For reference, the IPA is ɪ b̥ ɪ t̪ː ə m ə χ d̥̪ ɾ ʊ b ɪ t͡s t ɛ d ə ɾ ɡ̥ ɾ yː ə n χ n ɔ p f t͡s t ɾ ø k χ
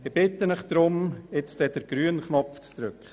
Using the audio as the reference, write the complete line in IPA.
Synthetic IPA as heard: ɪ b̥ ɪ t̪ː ə n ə χ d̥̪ ɾ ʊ m ɪ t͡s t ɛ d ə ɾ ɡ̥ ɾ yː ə n χ n ɔ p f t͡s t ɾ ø k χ